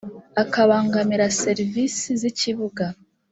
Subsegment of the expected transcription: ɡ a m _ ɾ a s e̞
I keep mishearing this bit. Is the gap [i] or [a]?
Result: i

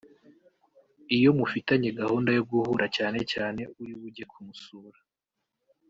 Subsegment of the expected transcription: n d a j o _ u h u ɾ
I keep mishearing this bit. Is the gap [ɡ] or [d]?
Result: ɡ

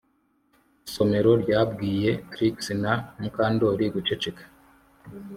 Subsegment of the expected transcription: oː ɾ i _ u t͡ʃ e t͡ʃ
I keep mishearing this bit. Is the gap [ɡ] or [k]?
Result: ɡ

